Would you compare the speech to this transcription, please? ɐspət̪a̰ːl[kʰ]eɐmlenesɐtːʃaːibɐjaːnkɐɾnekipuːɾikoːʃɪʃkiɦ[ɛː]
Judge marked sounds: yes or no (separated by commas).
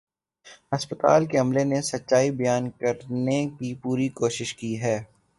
no, yes